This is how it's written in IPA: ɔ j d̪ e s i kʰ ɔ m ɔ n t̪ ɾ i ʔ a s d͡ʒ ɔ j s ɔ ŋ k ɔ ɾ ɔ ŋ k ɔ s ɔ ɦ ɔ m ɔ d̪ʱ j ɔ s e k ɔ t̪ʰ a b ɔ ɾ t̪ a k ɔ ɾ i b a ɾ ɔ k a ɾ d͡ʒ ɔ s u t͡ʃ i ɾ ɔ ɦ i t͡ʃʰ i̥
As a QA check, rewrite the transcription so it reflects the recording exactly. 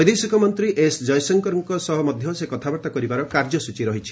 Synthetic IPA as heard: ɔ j d̪ e s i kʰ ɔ m ɔ n t̪ ɾ i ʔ e s d͡ʒ ɔ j s ɔ ŋ k ɔ ɾ ɔ ŋ k ɔ s ɔ ɦ ɔ m ɔ d̪ʱ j ɔ s e k ɔ t̪ʰ a b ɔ ɾ t̪ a k ɔ ɾ i b a ɾ ɔ k a ɾ d͡ʒ ɔ s u t͡ʃ i ɾ ɔ ɦ i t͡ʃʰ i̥